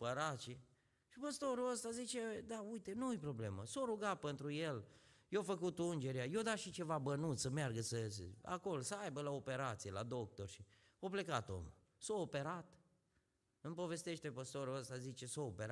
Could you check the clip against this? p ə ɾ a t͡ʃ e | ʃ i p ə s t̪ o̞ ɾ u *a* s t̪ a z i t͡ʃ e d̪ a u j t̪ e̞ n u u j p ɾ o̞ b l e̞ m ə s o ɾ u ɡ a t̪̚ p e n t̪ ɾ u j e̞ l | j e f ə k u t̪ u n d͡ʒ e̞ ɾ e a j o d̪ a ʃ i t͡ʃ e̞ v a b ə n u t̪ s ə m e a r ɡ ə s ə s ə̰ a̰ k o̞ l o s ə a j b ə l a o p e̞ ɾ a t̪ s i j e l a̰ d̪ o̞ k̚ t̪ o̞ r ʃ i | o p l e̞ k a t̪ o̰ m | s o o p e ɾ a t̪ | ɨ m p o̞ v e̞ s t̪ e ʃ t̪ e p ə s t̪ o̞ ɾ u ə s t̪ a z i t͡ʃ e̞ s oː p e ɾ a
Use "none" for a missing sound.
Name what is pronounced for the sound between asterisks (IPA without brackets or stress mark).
ə